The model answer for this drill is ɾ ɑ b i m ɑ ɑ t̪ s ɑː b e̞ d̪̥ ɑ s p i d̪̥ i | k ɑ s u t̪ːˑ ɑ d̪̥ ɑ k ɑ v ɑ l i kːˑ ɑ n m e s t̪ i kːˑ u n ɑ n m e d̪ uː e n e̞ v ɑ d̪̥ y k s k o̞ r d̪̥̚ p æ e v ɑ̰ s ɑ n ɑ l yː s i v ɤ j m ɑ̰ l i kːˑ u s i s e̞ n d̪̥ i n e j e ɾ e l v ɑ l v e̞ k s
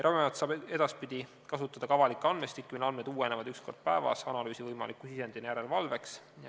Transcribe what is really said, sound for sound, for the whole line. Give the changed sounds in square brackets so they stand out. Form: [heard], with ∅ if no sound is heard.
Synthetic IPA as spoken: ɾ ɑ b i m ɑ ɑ t̪ s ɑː b e̞ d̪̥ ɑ s p i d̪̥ i | k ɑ s u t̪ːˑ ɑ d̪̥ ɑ k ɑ v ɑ l i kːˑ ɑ n m e s t̪ i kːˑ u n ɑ n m e d̪ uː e n e̞ v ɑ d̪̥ y k s k o̞ r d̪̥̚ p æ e v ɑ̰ s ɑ n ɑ l yː s i v ɤ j m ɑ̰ l i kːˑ u s i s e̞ n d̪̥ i n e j [æ] ɾ e l v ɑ l v e̞ k s